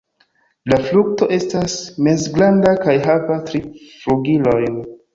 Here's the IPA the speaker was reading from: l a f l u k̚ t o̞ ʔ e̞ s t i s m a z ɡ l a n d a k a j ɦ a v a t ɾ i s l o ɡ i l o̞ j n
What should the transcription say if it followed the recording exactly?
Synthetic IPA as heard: l a f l u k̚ t o̞ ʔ e̞ s t a s m e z ɡ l a n d a k a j ɦ a v a t ɾ i f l u ɡ i l o̞ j n